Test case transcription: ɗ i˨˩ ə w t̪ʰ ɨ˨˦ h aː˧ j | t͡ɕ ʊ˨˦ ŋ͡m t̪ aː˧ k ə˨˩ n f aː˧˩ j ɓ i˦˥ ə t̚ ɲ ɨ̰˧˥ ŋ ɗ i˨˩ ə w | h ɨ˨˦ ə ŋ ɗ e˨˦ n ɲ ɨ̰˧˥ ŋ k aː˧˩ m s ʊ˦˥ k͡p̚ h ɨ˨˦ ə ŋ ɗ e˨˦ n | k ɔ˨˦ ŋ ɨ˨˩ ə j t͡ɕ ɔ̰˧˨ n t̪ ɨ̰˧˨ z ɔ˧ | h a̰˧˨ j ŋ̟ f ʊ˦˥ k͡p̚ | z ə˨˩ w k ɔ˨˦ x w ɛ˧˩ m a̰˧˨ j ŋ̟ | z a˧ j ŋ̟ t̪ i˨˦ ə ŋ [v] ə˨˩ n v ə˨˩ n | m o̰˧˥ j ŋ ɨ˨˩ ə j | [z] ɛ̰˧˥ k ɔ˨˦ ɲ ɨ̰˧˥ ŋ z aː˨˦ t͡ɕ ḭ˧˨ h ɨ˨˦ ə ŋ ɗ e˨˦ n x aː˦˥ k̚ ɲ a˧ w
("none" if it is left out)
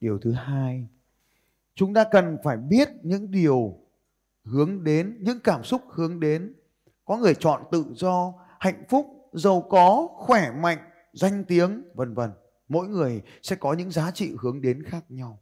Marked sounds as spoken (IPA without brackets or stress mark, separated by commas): v, s